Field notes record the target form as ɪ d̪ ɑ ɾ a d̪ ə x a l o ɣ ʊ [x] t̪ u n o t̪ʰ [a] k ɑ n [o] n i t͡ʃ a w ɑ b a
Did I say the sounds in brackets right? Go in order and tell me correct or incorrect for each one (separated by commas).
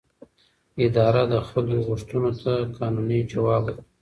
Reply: incorrect, correct, incorrect